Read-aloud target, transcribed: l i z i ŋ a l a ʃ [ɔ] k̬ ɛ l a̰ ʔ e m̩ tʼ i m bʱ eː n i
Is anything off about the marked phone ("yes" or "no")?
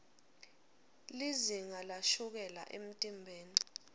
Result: yes